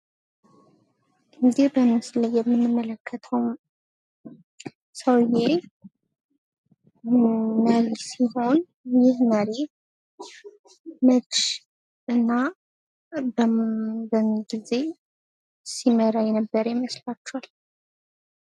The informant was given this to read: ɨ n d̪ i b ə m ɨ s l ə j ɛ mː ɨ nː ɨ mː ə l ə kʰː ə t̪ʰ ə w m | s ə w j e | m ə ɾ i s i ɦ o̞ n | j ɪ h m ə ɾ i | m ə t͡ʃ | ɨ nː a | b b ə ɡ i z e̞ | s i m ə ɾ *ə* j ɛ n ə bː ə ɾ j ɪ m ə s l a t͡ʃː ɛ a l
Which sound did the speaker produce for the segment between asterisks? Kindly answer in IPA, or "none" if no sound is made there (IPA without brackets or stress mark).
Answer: a